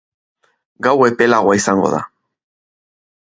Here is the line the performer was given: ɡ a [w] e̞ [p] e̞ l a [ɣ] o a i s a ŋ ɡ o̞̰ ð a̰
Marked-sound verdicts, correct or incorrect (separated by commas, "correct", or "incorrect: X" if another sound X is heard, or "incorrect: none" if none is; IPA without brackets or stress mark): correct, correct, correct